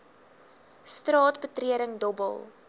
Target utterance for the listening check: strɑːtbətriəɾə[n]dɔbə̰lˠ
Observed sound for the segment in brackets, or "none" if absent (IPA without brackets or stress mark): ŋ